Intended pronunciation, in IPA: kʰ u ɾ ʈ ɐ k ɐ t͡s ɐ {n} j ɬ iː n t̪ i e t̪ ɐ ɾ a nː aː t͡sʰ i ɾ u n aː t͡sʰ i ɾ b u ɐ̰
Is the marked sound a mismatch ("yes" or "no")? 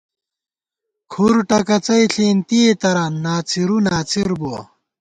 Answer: yes